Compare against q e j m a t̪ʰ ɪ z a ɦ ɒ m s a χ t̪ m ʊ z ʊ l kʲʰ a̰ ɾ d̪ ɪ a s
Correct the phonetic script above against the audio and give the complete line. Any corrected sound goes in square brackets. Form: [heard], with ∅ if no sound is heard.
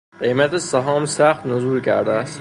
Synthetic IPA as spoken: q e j m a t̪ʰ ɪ [s] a ɦ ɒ m s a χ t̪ [n] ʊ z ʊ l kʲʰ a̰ ɾ d̪ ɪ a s

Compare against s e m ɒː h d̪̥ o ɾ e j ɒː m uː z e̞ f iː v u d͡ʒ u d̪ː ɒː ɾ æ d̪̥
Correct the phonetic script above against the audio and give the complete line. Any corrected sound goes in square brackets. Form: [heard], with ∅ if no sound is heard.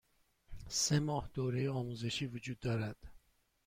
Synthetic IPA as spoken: s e m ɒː h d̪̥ o ɾ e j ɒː m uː z e̞ [ʃ] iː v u d͡ʒ u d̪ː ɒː ɾ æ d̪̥

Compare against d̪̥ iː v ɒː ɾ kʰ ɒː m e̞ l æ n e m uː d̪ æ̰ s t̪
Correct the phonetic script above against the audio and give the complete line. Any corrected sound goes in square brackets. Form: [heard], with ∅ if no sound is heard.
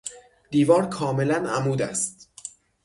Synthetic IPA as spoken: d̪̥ iː v ɒː ɾ kʰ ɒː m e̞ l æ n [æ] m uː d̪ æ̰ s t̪

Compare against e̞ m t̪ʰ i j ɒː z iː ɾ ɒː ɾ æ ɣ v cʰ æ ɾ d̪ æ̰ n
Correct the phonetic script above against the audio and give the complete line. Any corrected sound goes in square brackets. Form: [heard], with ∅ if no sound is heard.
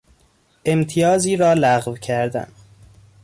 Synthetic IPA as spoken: e̞ m t̪ʰ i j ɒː z iː ɾ ɒː [l] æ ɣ v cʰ æ ɾ d̪ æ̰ n

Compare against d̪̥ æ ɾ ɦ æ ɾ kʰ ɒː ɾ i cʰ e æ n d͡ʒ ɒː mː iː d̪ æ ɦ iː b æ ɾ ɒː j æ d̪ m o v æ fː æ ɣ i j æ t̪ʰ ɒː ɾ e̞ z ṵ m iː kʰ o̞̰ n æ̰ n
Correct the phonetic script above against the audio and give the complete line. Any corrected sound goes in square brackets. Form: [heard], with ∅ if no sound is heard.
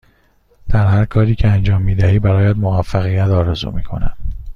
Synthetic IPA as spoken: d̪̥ æ ɾ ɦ æ ɾ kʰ ɒː ɾ [iː] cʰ e æ n d͡ʒ ɒː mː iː d̪ æ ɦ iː b æ ɾ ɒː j æ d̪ m o v æ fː æ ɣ i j æ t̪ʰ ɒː ɾ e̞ z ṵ m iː kʰ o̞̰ n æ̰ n

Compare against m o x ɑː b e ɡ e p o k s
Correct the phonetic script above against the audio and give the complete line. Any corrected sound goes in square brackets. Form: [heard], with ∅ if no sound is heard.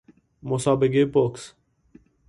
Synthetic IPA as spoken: m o [s] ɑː b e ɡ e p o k s

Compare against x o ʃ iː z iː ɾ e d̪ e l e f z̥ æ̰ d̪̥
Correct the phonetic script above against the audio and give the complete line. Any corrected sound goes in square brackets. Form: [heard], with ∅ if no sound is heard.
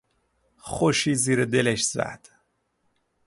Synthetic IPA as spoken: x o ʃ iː z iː ɾ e d̪ e l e [ʃ] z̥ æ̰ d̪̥

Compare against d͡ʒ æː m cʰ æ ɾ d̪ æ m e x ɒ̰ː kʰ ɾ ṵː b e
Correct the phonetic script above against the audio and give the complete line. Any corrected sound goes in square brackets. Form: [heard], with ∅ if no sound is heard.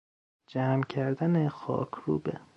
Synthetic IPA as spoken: d͡ʒ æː m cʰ æ ɾ d̪ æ [n] e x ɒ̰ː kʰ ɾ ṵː b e

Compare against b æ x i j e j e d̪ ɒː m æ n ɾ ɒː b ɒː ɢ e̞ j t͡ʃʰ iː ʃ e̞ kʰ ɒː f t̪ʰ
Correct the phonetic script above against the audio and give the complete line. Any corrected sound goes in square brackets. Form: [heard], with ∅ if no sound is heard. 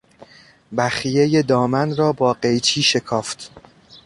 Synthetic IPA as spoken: b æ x i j e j e d̪ ɒː m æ n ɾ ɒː b ɒː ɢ e̞ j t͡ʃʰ iː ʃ e̞ kʰ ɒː f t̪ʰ

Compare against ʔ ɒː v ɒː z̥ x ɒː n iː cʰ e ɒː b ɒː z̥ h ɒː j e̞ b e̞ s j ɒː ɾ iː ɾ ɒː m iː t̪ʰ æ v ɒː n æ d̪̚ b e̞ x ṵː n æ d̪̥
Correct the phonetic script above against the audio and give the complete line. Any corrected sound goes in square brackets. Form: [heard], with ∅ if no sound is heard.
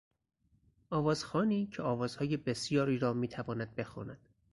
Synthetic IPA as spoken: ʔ ɒː v ɒː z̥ x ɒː n iː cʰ e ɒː [v] ɒː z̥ h ɒː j e̞ b e̞ s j ɒː ɾ iː ɾ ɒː m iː t̪ʰ æ v ɒː n æ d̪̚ b e̞ x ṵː n æ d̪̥

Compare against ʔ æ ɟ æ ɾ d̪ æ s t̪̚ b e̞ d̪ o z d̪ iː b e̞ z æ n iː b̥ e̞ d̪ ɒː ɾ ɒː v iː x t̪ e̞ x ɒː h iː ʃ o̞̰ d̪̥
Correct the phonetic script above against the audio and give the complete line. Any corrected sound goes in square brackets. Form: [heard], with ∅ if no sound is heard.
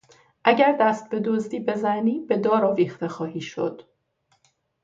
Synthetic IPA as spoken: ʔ æ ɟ æ ɾ d̪ æ s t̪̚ b e̞ d̪ o z d̪ iː b e̞ z æ n iː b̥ e̞ d̪ ɒː ɾ ɒː v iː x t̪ e̞ x ɒː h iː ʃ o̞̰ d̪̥

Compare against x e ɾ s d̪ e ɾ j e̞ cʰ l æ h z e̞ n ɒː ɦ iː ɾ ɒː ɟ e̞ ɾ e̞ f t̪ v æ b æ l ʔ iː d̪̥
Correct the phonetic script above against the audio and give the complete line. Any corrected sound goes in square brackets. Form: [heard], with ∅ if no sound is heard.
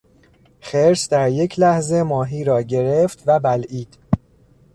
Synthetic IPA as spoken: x e ɾ s d̪ [æ] ɾ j e̞ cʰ l æ h z e̞ [m] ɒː ɦ iː ɾ ɒː ɟ e̞ ɾ e̞ f t̪ v æ b æ l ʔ iː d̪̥

